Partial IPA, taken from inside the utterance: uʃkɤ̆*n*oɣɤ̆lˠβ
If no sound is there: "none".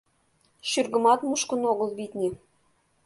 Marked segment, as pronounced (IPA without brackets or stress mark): n